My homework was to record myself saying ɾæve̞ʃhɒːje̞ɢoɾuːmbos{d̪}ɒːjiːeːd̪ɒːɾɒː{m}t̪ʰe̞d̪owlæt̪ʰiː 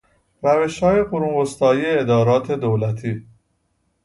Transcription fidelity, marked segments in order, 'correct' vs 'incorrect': incorrect: t̪, incorrect: none

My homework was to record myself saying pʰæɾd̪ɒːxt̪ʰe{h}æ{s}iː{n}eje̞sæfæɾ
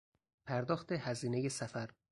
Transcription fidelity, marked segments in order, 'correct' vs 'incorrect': correct, incorrect: z, correct

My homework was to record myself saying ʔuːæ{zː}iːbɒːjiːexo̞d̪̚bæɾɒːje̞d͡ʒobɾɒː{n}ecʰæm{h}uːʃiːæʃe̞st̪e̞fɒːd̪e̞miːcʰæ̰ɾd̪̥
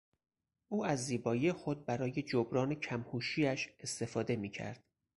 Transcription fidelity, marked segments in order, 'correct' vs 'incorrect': correct, correct, correct

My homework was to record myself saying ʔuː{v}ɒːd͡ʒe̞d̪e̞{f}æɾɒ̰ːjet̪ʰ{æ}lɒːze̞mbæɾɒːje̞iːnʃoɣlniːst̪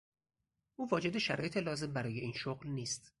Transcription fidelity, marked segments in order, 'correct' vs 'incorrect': correct, incorrect: ʃ, incorrect: e

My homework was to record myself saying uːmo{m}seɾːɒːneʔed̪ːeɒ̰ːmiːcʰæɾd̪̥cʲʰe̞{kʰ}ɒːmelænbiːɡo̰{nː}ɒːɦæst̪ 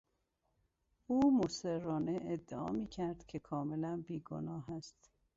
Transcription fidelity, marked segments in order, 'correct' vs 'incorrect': incorrect: none, correct, incorrect: n

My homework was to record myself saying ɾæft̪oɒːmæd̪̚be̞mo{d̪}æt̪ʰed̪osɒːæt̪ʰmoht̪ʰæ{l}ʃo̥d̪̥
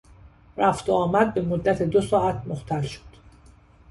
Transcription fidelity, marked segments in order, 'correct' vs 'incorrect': incorrect: d̪ː, correct

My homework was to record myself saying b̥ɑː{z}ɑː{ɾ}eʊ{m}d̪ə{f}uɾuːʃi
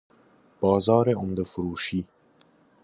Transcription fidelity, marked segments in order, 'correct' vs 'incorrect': correct, correct, correct, correct

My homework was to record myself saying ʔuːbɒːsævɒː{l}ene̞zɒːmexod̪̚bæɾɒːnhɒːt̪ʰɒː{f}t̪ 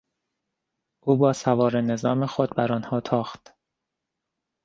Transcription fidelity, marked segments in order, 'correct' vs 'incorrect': incorrect: ɾ, incorrect: x

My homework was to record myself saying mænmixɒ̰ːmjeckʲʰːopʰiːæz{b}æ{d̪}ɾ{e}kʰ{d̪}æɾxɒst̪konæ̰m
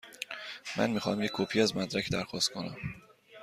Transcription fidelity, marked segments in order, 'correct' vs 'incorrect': incorrect: m, correct, incorrect: æ, correct

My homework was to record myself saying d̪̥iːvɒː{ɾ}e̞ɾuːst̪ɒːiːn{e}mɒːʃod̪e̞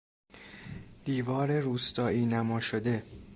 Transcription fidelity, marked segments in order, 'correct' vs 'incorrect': correct, incorrect: æ

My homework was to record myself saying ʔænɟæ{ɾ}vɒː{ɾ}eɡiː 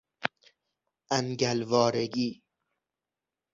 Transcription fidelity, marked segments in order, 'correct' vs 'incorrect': incorrect: l, correct

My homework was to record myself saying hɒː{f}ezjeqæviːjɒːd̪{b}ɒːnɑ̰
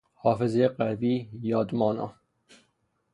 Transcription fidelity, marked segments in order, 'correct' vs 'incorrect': correct, incorrect: m

